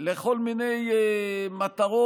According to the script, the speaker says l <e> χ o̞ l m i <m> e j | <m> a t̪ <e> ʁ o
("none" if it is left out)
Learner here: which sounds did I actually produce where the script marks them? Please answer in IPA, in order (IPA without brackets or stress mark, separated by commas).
e, n, m, a